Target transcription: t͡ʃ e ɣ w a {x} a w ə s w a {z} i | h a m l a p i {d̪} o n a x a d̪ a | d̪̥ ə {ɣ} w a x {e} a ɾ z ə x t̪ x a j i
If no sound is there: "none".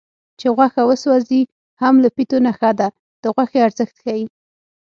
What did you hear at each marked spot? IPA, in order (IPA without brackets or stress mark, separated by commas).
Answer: x, z, t̪, ɣ, e